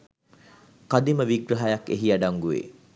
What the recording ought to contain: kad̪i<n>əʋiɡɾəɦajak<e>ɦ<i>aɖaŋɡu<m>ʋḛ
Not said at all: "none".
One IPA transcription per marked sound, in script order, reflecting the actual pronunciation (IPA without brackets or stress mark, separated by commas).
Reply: m, e, i, none